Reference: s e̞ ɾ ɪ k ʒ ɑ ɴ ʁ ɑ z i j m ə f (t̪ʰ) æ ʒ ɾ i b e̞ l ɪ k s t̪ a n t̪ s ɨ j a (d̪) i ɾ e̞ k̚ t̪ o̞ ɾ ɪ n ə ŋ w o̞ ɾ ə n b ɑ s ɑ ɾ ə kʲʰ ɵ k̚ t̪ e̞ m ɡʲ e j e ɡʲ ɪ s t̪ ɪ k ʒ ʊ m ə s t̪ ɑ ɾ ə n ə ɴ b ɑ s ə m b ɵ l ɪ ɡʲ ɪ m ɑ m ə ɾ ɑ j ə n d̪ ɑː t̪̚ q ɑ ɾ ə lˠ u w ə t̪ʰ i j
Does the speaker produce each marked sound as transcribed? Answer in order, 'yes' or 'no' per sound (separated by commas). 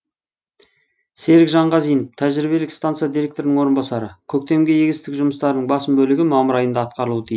yes, yes